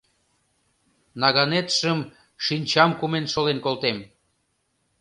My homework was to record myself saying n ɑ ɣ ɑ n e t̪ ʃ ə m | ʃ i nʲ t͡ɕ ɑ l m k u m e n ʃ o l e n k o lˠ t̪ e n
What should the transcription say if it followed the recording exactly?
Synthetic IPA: n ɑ ɣ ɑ n e t̪ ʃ ə m | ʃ i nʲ t͡ɕ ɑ m k u m e n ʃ o l e n k o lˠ t̪ e m